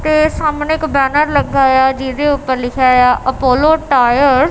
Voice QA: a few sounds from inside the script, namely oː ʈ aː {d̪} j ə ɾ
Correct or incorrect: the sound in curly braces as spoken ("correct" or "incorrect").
incorrect